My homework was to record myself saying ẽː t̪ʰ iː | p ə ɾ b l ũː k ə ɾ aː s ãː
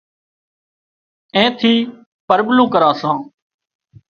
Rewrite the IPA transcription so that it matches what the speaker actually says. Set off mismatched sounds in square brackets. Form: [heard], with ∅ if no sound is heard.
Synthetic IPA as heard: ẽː t̪ʰ iː | p ə ɾ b l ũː k ə ɾ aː s ãː

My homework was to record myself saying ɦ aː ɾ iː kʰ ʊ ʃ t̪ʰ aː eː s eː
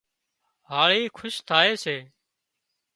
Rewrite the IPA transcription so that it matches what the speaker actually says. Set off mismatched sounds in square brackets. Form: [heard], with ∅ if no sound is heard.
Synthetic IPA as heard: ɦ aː [ɭ] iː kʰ ʊ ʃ t̪ʰ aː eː s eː

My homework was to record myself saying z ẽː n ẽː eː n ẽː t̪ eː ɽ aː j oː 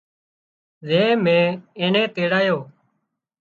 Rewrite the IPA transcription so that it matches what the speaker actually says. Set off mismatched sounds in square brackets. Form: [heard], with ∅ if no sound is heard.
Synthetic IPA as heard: z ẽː [m] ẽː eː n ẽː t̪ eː ɽ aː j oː

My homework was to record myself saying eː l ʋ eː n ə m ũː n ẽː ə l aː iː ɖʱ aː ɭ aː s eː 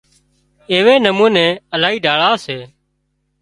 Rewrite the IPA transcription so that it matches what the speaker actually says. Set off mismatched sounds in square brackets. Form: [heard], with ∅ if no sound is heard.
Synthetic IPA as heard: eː [∅] ʋ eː n ə m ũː n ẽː ə l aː iː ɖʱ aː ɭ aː s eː

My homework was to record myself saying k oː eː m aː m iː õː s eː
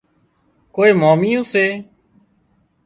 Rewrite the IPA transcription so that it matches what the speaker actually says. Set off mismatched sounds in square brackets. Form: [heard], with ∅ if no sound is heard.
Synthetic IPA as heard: k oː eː m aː m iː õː s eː

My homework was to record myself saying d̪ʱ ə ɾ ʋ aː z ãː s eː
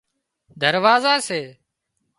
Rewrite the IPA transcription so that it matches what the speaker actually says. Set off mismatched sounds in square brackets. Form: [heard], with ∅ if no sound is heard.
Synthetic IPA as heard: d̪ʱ ə ɾ ʋ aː z [aː] s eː

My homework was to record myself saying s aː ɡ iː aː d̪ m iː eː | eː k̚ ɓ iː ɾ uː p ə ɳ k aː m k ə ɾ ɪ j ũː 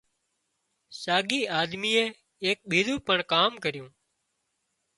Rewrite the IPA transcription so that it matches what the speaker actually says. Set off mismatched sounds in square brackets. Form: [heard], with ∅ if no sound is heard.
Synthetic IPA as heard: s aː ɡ iː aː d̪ m iː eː | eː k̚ ɓ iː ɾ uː p ə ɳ k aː m k ə ɾ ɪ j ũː

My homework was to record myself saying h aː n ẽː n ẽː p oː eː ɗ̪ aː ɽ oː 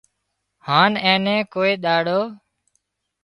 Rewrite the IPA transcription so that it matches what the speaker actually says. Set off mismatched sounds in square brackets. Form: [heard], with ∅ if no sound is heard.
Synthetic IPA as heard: h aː n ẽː n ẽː [k] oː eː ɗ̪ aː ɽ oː

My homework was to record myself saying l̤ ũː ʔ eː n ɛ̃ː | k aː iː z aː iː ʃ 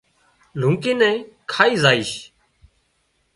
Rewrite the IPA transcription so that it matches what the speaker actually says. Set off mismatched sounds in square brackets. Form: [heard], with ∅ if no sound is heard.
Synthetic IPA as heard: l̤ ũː [k] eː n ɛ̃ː | [kʰ] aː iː z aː iː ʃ

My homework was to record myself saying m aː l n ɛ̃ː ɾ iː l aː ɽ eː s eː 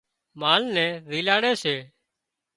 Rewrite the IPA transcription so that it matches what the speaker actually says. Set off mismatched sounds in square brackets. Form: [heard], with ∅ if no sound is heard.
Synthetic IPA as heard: m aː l n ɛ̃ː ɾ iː l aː ɽ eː s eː

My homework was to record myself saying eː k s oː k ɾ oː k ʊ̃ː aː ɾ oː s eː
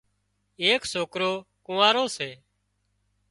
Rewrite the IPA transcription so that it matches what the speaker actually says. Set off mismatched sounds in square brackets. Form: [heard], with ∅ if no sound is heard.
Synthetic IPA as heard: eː k s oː k ɾ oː k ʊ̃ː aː ɾ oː s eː

